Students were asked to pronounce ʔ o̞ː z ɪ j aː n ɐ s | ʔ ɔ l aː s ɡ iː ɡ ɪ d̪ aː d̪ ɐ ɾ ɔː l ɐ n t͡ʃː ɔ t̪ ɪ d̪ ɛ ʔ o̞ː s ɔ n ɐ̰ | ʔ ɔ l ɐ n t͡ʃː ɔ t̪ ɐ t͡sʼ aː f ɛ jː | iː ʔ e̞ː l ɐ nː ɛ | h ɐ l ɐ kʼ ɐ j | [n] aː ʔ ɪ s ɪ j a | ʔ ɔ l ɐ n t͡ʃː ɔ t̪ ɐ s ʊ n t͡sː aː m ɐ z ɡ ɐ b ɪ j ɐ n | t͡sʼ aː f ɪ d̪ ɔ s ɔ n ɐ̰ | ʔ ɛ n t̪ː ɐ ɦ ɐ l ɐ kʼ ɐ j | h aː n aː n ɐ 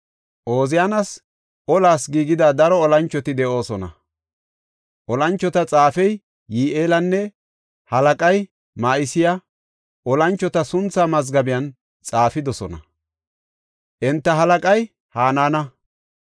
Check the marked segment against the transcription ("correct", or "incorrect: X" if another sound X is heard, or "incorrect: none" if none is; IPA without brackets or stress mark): incorrect: m